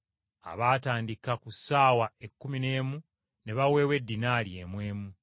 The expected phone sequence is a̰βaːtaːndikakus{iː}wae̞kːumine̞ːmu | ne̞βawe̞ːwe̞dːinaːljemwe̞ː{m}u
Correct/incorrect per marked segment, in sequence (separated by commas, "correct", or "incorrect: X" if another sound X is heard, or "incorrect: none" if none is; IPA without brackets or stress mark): incorrect: aː, correct